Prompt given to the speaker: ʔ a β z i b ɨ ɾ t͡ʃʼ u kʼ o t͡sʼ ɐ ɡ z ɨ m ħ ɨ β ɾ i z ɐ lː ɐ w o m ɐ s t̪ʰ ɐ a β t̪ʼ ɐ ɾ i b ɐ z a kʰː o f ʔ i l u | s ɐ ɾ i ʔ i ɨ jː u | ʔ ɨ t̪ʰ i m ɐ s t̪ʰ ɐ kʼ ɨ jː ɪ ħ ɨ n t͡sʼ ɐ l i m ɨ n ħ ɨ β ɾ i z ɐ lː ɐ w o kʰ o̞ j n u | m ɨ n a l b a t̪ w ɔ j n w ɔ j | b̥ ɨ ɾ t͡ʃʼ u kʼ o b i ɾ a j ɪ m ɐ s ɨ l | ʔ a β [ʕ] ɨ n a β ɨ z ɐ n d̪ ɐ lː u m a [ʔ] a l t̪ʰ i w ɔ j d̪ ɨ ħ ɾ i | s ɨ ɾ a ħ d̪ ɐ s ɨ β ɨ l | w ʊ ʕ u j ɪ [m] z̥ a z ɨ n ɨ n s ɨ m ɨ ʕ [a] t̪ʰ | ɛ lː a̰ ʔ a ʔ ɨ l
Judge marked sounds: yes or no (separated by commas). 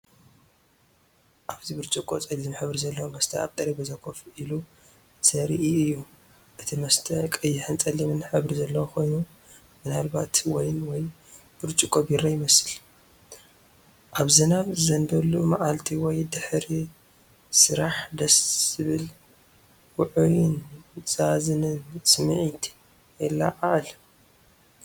no, yes, no, no